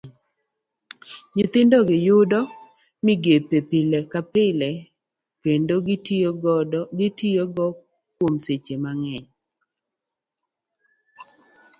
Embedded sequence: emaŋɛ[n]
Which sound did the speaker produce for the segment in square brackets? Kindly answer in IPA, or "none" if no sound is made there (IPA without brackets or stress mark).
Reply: ɲ